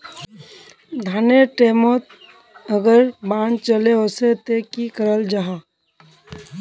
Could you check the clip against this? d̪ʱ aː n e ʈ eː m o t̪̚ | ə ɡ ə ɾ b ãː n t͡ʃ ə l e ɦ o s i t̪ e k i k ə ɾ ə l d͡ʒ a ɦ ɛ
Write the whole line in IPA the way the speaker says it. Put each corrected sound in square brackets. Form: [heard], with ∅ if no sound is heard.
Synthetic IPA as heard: d̪ʱ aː n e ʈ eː m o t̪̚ | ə ɡ ə ɾ b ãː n t͡ʃ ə l e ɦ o s [e] t̪ e k i k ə ɾ ə l d͡ʒ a ɦ [a]